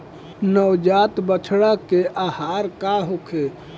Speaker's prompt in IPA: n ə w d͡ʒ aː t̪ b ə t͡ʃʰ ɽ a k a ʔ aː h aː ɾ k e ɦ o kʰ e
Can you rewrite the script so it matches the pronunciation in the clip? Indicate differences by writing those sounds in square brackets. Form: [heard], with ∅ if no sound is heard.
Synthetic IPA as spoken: n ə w d͡ʒ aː t̪ b ə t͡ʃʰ ɽ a k [e] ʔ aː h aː ɾ k [a] ɦ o kʰ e